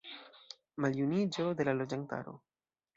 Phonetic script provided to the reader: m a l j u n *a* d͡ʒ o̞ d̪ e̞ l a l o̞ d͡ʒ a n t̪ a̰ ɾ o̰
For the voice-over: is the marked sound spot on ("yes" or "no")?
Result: no